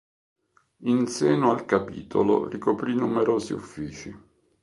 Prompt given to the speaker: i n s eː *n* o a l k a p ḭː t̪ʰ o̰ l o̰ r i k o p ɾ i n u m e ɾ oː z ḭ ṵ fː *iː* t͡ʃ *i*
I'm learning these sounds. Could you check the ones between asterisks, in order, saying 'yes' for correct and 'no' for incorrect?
yes, yes, yes

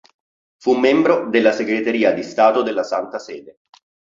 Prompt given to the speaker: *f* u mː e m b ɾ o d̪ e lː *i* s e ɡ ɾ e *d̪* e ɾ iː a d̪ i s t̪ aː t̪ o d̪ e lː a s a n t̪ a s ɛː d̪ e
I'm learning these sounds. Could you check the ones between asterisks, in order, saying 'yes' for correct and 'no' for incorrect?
yes, no, no

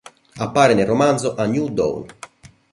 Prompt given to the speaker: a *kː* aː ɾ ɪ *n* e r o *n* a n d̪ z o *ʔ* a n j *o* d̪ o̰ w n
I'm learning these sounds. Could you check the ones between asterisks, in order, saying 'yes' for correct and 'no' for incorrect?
no, yes, no, yes, no

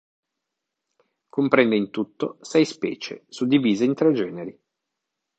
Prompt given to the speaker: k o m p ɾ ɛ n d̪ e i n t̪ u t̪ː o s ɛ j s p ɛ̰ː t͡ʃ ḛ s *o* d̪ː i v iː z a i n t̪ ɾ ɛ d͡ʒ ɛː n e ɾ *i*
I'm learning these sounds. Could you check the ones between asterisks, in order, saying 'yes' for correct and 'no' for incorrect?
no, yes

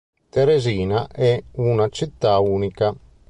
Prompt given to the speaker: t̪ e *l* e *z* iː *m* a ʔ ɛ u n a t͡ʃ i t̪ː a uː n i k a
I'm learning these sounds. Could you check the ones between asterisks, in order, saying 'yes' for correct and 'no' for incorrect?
no, yes, no

